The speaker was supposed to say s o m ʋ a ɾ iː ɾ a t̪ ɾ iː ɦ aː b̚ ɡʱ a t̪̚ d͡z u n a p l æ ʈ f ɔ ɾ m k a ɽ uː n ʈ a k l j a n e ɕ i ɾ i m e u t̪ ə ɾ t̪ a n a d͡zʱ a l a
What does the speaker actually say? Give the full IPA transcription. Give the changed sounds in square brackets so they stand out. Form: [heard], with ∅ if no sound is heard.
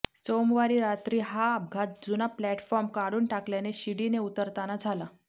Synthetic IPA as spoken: s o m ʋ a ɾ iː ɾ a t̪ ɾ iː ɦ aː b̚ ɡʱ a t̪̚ d͡z u n a p l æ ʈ f ɔ ɾ m k a ɽ uː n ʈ a k l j a n e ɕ i [ɽ] i [n] e u t̪ ə ɾ t̪ a n a d͡zʱ a l a